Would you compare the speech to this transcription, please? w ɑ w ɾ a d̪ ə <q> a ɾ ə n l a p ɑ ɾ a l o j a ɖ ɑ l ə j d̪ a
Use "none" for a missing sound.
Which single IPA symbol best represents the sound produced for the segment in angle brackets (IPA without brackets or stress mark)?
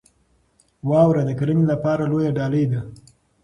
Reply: k